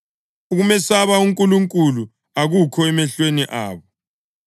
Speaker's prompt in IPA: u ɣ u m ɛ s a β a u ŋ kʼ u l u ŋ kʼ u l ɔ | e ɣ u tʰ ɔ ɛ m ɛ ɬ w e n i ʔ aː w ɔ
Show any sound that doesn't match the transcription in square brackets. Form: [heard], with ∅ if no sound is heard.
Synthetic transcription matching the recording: u ɣ u m ɛ s a β a u ŋ kʼ u l u ŋ kʼ u l [u] | [a] ɣ u [kʰ] ɔ ɛ m ɛ ɬ w e n i ʔ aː [β] ɔ